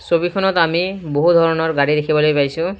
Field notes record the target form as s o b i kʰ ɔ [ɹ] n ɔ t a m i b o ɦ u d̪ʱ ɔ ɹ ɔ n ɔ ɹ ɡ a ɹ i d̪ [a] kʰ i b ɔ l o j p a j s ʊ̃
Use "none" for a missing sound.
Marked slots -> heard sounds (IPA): none, e

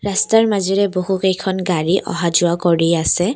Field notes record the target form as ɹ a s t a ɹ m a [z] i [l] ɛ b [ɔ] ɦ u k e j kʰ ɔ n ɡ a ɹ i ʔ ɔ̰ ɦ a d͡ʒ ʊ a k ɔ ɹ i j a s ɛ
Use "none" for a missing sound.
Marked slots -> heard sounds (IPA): z, ɹ, o

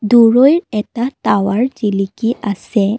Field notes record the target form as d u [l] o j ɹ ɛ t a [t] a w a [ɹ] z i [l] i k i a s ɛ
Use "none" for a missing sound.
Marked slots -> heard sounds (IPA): ɹ, t, ɹ, l

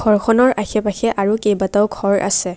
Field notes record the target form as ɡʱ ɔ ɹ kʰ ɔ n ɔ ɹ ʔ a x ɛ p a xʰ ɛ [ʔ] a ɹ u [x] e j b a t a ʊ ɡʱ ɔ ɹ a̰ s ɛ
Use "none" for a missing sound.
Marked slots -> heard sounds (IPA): ʔ, k

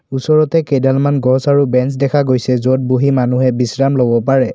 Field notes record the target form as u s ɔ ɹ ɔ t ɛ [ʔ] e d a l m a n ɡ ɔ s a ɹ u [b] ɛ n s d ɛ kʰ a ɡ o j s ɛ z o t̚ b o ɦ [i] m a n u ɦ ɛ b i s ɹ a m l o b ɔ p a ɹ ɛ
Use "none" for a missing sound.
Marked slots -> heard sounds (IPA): k, b, i

